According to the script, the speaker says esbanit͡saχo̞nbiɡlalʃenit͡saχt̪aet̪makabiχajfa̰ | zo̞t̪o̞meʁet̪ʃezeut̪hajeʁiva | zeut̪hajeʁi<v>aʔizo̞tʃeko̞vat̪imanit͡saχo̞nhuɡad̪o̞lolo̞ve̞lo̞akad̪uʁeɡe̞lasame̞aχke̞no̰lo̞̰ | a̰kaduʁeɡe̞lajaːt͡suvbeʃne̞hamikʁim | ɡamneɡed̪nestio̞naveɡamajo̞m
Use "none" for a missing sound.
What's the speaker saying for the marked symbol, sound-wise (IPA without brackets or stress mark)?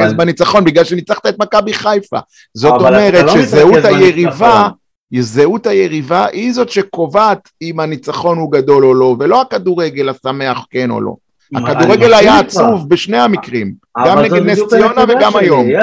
v